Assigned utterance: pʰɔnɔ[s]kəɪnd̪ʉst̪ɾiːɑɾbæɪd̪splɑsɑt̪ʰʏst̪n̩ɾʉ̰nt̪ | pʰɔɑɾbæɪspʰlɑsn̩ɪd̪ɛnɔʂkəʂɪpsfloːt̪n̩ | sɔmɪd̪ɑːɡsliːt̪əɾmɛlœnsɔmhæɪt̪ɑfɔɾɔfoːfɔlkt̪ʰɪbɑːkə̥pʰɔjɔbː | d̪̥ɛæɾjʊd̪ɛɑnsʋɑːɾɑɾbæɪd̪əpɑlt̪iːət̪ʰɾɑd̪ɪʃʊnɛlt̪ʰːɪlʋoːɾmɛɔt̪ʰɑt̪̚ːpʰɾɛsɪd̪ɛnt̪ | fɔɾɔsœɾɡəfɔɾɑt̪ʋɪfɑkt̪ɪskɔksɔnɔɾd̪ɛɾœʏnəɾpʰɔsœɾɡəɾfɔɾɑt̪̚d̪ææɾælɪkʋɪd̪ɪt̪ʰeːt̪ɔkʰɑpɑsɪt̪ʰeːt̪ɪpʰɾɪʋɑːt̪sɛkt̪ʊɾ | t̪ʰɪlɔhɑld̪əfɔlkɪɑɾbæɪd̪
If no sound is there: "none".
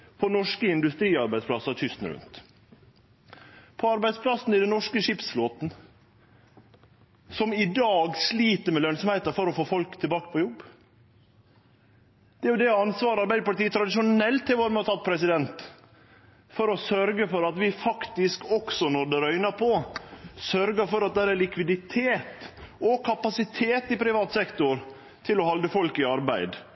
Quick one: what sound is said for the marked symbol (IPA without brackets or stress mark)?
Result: ʂ